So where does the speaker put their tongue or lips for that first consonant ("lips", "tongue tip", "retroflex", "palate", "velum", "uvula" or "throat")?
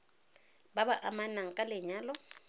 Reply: lips